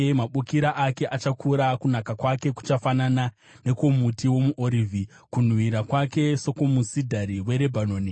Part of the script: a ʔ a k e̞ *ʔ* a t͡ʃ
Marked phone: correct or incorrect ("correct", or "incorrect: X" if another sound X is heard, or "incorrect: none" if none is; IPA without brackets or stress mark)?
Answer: correct